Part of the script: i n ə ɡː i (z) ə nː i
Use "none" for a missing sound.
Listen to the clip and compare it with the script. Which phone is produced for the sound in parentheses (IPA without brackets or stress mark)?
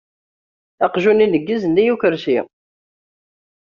z